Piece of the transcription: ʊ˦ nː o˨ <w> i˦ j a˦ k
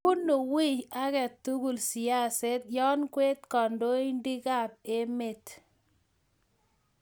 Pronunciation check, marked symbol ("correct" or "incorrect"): correct